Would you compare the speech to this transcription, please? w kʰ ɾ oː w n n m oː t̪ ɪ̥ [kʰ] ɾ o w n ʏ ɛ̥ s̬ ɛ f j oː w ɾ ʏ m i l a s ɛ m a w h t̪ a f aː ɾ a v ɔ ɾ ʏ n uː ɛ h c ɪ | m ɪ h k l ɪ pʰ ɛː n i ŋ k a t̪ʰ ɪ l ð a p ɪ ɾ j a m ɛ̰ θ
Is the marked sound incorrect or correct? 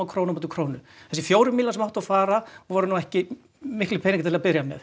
correct